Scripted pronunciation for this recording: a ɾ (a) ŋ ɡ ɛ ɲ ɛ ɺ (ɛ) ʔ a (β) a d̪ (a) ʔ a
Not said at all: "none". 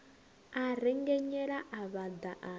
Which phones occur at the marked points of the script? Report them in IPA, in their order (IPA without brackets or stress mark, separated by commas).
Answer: ɛ, a, β, a